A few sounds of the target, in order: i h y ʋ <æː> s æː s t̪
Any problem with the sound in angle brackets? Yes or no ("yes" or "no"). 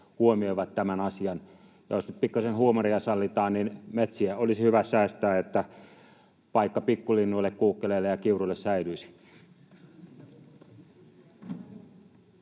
yes